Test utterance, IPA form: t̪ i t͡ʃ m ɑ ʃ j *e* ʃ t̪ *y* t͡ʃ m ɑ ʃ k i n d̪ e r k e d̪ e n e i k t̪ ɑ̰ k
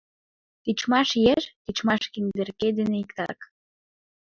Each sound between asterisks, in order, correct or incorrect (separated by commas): correct, incorrect